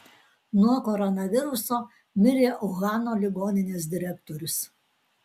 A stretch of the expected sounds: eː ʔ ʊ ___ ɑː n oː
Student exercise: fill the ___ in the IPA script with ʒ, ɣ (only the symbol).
ɣ